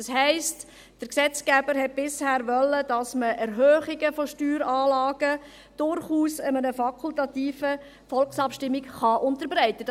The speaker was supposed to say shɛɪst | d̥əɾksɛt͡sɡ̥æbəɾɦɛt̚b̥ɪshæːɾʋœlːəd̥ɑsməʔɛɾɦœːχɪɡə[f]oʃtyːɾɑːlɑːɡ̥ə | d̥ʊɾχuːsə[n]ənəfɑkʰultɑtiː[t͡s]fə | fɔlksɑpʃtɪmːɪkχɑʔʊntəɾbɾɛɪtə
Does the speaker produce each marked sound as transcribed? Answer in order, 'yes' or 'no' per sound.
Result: yes, no, no

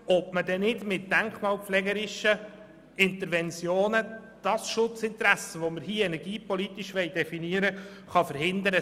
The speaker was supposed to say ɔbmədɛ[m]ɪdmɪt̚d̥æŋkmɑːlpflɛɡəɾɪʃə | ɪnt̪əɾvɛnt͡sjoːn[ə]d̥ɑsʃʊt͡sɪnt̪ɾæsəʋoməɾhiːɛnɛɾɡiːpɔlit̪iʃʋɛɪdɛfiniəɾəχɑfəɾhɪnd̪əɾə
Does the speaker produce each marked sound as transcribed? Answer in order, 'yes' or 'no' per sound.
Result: no, yes

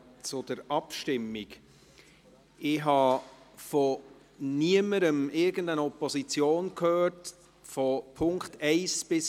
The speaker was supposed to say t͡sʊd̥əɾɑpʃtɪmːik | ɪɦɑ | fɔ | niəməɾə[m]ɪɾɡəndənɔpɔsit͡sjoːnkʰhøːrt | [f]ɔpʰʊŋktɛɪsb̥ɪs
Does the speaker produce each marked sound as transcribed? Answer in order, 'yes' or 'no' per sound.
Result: yes, yes

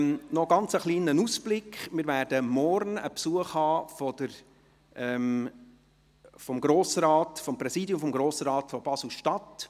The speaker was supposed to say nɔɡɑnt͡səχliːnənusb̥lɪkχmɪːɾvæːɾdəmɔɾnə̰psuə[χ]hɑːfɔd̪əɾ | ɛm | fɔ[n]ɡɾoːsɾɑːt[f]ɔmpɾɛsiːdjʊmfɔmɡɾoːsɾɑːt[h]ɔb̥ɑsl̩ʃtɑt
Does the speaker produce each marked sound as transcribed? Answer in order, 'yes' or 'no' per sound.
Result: yes, no, yes, no

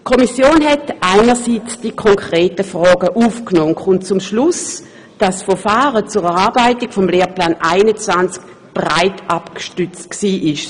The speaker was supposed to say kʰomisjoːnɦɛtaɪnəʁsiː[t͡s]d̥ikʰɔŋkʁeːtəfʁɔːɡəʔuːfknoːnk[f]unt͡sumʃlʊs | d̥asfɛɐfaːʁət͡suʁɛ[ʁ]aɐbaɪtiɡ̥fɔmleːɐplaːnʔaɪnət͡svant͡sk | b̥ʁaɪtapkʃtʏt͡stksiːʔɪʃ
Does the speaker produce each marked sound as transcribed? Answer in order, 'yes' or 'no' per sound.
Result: yes, no, yes

